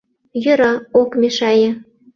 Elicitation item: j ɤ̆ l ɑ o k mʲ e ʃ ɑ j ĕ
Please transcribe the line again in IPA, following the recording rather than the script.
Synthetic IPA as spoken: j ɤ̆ ɾ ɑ o k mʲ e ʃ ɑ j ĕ